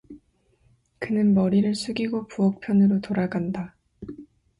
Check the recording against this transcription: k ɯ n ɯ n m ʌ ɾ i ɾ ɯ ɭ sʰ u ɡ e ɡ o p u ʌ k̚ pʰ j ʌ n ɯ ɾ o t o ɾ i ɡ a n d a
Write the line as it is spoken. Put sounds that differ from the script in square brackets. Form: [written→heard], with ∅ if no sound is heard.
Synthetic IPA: k ɯ n ɯ n m ʌ ɾ i ɾ ɯ ɭ sʰ u ɡ [e→i] ɡ o p u ʌ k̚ pʰ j ʌ n ɯ ɾ o t o ɾ [i→a] ɡ a n d a